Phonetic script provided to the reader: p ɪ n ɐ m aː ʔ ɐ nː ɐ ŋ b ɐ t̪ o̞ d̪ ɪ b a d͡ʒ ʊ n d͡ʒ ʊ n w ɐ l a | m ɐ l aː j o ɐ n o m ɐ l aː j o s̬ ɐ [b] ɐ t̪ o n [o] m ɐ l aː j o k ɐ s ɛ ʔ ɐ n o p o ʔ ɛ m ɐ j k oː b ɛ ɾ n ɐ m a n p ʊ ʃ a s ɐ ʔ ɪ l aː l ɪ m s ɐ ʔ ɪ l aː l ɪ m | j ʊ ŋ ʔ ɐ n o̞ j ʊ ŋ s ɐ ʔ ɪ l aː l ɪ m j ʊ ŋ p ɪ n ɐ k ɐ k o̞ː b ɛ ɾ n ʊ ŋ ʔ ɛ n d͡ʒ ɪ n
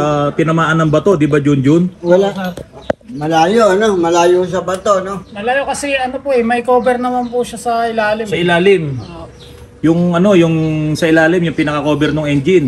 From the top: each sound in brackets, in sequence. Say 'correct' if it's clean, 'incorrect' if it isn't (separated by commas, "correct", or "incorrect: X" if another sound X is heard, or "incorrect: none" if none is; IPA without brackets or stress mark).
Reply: correct, correct